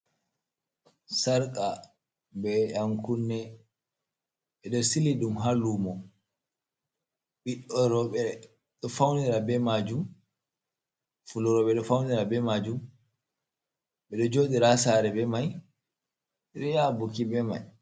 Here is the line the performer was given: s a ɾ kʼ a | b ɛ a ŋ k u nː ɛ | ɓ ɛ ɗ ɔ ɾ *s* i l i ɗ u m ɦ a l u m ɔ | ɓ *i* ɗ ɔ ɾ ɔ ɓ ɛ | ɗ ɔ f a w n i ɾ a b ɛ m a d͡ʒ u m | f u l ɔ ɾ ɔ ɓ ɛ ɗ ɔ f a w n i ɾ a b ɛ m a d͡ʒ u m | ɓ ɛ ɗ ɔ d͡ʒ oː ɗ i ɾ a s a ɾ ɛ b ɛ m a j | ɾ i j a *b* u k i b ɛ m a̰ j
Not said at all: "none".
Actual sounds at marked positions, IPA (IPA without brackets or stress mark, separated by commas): s, i, b